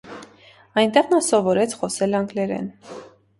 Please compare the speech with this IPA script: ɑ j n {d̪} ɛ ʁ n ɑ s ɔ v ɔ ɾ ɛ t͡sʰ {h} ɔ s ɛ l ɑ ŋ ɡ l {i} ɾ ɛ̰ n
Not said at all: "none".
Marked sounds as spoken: t̪, χ, ɛ

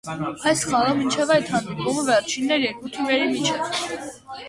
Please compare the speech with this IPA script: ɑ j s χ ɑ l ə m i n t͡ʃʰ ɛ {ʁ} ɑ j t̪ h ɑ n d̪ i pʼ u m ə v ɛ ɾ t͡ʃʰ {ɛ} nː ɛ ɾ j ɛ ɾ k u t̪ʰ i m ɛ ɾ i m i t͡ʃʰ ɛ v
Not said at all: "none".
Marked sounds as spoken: v, i

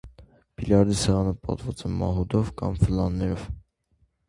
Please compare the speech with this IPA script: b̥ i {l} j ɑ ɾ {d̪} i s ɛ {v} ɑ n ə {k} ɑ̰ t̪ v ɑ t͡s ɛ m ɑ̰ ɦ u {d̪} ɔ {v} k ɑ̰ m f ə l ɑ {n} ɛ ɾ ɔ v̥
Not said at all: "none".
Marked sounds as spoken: l, d̪, ʁ, p, d̪, v, nː

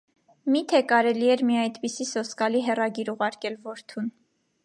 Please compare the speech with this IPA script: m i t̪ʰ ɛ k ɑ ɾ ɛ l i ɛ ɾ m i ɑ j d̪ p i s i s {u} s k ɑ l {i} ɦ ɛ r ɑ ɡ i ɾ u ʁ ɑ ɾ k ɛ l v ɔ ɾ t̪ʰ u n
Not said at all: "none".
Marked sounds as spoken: ɔ, i

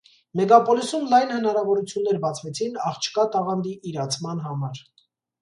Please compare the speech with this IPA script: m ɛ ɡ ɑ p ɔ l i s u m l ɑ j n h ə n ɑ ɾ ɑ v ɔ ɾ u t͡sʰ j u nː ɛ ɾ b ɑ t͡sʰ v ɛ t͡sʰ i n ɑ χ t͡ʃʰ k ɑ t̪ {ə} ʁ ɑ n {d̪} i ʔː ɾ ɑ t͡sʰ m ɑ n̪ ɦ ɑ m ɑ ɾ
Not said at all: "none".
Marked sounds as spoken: ɑ, d̪

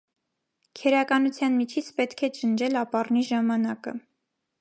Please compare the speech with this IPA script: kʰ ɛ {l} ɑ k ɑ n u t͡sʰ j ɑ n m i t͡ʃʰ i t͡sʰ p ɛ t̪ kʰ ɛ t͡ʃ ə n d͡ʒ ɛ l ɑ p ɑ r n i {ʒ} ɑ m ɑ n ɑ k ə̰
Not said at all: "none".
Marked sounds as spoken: ɾ, ʒ

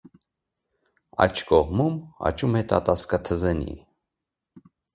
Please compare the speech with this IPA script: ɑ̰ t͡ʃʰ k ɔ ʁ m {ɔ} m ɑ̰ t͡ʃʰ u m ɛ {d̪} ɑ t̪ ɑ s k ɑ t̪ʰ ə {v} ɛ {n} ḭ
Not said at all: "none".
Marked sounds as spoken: u, t̪, z, n

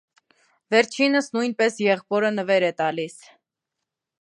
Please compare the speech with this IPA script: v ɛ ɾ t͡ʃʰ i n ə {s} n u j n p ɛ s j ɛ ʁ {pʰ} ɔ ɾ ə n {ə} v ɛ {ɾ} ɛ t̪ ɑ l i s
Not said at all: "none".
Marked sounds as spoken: s, p, ə, ɾ

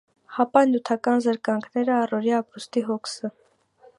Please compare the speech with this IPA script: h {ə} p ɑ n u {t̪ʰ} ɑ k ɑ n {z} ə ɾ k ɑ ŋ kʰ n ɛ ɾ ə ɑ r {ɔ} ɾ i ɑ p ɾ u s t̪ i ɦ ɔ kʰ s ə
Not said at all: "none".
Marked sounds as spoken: ɑ, t̪ʰ, z, ɔ

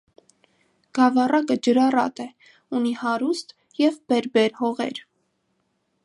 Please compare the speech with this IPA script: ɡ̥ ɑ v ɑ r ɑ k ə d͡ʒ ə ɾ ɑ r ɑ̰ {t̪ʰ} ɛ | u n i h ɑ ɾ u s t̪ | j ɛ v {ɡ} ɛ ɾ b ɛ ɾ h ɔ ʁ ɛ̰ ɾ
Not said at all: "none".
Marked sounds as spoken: t̪, b

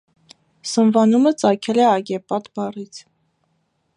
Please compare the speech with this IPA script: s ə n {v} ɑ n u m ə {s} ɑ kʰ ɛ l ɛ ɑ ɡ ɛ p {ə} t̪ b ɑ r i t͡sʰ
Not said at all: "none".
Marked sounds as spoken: v, t͡s, ɑ

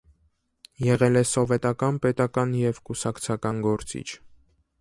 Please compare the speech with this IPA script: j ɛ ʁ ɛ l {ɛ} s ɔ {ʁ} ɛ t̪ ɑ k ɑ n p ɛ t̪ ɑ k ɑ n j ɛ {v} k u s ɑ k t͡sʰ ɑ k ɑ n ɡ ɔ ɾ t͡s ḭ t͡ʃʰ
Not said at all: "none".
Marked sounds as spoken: ɛ, v, v

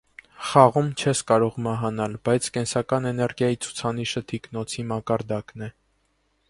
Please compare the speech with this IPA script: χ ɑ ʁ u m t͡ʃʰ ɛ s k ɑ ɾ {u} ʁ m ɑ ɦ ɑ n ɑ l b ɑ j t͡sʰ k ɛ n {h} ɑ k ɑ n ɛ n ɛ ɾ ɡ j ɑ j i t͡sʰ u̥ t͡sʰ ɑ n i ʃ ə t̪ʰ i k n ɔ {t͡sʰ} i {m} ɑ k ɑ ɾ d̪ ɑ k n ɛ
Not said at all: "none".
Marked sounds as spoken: ɔ, s, t͡sʰ, m

